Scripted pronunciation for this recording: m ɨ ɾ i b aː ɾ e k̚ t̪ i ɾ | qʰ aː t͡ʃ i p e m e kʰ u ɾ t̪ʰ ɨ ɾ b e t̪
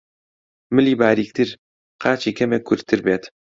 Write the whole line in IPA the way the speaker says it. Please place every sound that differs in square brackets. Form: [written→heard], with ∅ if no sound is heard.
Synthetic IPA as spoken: m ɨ [ɾ→l] i b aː ɾ [e→i] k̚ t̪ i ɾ | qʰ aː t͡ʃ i [p→k] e m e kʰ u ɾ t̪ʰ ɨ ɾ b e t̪